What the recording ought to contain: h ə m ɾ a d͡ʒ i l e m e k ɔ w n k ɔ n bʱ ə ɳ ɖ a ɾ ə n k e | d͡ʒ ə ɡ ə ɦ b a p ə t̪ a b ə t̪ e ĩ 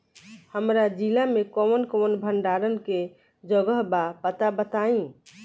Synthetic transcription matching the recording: h ə m ɾ a d͡ʒ i l a m e k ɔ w n k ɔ n bʱ ə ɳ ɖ a ɾ ə n k e | d͡ʒ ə ɡ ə ɦ b a p ə t̪ a b ə t̪ a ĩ